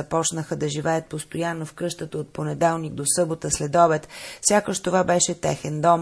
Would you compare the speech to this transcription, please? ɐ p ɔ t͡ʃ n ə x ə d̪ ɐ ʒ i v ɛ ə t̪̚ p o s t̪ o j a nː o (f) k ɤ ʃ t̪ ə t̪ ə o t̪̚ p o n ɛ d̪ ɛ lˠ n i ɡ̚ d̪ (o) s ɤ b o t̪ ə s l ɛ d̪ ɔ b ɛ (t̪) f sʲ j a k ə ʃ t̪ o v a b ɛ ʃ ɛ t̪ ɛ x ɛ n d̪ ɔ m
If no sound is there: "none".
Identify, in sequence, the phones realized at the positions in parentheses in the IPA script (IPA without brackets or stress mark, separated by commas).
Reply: f, o, t̪